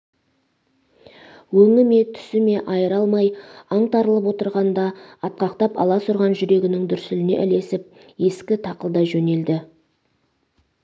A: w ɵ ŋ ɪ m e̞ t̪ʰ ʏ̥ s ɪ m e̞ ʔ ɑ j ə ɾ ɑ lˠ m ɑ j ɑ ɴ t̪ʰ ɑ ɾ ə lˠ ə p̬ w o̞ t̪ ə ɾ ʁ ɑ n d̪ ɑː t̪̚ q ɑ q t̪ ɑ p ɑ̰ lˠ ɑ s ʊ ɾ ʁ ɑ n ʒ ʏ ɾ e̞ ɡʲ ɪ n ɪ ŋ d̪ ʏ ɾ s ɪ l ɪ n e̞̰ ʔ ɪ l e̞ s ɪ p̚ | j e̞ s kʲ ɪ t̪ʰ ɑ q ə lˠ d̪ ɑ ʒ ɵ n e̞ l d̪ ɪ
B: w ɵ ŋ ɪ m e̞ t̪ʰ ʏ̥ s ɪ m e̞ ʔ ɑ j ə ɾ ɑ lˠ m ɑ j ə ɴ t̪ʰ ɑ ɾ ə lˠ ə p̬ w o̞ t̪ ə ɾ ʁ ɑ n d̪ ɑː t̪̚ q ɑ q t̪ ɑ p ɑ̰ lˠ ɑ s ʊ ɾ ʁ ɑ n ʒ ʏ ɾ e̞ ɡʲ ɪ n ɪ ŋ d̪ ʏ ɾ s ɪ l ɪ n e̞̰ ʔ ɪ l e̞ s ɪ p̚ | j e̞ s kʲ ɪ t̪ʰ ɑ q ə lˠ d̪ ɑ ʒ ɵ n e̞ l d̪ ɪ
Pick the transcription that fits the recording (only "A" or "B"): A